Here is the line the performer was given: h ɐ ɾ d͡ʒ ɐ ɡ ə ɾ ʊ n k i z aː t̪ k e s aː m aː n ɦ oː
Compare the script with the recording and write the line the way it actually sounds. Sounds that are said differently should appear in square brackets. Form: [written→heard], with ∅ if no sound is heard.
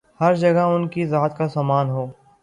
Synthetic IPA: h ɐ ɾ d͡ʒ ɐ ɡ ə [ɾ→∅] ʊ n k i z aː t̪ k [e→a] s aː m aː n ɦ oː